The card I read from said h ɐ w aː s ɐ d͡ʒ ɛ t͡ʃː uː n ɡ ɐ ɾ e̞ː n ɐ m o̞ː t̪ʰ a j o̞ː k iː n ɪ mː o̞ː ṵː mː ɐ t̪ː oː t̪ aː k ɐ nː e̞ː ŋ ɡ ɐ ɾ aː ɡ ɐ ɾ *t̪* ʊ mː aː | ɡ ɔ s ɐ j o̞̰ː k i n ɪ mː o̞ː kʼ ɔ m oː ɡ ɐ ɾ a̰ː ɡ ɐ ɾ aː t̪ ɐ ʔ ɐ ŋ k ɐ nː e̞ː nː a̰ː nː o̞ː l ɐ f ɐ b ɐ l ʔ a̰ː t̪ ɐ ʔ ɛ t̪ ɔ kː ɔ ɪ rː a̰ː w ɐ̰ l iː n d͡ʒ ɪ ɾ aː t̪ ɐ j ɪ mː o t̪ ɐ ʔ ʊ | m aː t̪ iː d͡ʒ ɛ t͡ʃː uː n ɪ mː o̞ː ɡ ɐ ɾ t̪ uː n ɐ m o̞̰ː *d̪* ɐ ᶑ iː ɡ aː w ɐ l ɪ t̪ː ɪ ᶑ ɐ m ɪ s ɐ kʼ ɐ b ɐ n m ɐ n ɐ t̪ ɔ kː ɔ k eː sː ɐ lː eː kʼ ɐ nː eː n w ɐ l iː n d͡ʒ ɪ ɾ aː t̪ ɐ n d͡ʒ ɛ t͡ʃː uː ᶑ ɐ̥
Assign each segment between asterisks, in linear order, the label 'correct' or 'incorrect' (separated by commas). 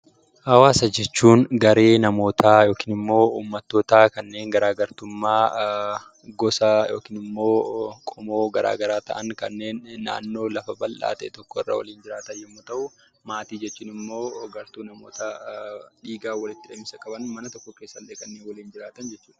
correct, incorrect